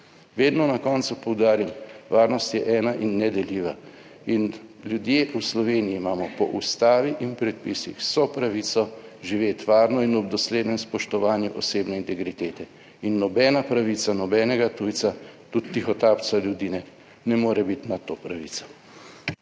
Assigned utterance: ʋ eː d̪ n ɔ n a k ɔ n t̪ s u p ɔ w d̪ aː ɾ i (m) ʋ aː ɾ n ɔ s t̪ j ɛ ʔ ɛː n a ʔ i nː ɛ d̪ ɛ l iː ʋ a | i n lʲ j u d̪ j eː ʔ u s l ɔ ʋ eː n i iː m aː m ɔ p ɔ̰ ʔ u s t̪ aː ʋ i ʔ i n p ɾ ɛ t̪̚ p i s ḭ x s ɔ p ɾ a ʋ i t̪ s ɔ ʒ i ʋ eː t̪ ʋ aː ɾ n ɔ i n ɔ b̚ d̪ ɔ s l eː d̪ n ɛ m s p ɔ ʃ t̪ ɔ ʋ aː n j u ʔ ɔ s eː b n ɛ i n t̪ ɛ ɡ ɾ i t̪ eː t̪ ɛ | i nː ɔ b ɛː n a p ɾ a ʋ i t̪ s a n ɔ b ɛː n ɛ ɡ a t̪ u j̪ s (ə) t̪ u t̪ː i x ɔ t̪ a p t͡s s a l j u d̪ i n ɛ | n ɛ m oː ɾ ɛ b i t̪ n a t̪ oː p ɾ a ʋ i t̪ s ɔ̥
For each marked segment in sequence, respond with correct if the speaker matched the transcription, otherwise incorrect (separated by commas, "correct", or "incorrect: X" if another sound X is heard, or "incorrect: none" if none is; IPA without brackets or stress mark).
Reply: correct, incorrect: a